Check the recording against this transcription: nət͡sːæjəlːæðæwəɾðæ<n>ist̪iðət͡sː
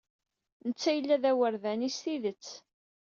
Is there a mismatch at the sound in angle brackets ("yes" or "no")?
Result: no